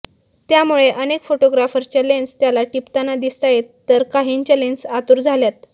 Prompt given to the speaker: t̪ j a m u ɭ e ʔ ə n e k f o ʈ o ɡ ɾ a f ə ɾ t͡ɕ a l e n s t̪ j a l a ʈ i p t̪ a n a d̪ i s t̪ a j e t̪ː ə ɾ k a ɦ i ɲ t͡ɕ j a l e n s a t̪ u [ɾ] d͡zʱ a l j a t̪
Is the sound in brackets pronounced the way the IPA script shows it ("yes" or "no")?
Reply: yes